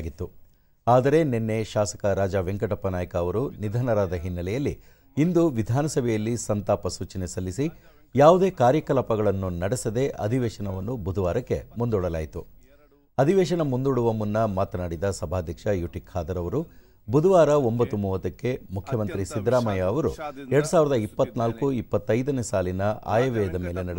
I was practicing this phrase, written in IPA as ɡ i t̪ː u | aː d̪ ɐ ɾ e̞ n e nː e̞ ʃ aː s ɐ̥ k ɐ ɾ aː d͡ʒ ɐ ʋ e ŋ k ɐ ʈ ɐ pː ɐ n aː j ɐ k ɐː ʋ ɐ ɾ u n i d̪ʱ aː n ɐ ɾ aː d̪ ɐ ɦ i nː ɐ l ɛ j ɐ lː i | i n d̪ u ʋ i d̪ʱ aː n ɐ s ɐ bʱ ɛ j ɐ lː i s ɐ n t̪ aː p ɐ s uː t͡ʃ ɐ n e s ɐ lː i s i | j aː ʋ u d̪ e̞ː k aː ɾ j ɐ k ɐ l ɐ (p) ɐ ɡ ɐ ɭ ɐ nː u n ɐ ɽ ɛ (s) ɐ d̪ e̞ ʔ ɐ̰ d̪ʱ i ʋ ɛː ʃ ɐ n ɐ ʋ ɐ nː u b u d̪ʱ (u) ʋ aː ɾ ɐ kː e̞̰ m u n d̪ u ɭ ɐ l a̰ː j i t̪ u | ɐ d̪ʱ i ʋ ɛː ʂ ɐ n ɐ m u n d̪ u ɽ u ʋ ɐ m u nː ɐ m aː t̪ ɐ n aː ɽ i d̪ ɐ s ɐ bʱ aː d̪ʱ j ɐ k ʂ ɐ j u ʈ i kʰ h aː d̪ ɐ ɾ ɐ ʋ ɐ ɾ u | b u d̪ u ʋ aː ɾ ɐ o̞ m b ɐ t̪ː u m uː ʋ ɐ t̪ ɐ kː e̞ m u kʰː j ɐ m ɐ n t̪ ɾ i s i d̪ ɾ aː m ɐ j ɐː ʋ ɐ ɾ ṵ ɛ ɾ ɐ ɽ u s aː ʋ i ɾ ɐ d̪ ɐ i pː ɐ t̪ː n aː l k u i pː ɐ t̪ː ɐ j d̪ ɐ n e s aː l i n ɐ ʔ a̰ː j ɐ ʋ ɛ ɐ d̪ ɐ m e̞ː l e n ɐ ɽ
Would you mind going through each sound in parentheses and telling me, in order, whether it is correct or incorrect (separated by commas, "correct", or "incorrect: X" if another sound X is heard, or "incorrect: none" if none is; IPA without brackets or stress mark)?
correct, correct, correct